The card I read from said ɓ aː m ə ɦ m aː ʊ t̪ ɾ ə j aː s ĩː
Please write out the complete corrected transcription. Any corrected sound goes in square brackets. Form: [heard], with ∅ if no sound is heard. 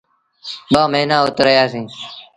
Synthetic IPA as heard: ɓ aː m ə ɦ [n] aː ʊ t̪ ɾ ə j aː s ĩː